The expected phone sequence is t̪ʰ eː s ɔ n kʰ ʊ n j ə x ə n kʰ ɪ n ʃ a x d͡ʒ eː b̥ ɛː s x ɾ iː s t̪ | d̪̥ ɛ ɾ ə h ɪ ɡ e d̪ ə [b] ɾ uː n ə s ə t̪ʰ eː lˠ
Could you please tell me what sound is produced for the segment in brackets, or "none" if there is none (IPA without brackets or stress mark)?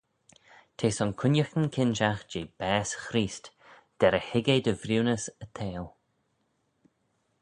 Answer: v